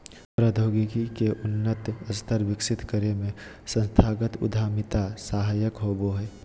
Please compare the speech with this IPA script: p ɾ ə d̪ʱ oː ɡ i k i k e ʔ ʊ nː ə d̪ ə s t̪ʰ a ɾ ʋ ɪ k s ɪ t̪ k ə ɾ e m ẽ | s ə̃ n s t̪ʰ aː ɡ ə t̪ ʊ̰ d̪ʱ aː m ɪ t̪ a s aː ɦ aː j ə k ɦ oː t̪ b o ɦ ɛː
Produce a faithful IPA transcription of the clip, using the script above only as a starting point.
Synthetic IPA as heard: p ɾ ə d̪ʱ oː ɡ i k i k e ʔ ʊ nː ə t̪ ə s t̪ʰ ə ɾ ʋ ɪ k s ɪ t̪ k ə ɾ e m ẽ | s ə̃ n s t̪ʰ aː ɡ ə t̪ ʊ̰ d̪ʱ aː m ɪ t̪ a s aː ɦ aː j ə k ɦ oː b o ɦ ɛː